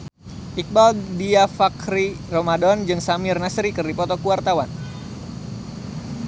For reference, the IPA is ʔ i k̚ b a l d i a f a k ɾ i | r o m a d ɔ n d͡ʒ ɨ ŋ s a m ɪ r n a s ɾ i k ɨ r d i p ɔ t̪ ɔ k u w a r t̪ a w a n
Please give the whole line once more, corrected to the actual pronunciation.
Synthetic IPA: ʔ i k̚ b a l d i a f a k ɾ i | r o m a d ɔ n d͡ʒ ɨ ŋ s a m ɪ r n a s ɾ i k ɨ r d i p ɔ t̪ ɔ k u w a r t̪ a w a n